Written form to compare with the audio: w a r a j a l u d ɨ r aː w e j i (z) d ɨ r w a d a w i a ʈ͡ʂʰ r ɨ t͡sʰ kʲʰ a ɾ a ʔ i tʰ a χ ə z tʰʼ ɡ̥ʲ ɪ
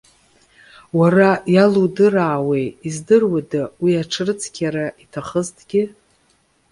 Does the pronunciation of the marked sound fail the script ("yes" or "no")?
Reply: no